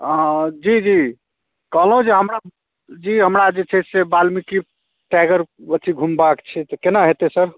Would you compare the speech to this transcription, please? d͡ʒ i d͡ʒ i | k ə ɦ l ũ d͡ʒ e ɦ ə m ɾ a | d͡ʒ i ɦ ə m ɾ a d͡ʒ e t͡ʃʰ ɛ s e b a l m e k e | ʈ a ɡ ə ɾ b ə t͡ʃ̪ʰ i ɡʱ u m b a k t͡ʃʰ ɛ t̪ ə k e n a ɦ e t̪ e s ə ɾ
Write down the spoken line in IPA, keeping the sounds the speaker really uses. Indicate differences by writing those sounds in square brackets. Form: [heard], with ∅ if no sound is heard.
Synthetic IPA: d͡ʒ i d͡ʒ i | k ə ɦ l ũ d͡ʒ e ɦ ə m ɾ a | d͡ʒ i ɦ ə m ɾ a d͡ʒ e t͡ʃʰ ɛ s e b a l m [i] k [i] | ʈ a ɡ ə ɾ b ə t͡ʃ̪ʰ i ɡʱ u m b a k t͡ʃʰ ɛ t̪ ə k e n a ɦ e t̪ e s ə ɾ